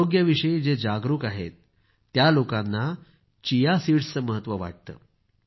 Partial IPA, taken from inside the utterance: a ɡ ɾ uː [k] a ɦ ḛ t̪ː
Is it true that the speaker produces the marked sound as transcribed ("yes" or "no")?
yes